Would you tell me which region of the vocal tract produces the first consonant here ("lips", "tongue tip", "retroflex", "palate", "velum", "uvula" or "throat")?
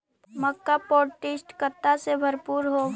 lips